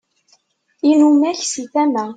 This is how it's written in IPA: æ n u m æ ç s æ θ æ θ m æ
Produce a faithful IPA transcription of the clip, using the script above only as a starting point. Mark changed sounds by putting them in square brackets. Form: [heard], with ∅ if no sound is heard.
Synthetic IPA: [i] n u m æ ç s [i] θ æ [∅] m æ